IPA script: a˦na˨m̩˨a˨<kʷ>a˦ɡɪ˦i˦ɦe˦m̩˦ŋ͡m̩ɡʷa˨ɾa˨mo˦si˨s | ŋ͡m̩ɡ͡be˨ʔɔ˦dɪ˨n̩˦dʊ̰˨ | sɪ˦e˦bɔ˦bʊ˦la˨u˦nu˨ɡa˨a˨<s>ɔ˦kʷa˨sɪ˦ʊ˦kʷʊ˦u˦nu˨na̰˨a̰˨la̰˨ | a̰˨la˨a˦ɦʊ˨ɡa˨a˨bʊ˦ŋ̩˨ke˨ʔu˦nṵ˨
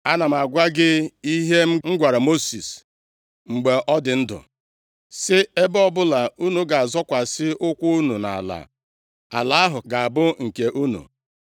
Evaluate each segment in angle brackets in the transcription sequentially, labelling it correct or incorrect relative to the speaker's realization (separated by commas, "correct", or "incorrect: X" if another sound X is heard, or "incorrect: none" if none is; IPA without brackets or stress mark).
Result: incorrect: ɡʷ, incorrect: z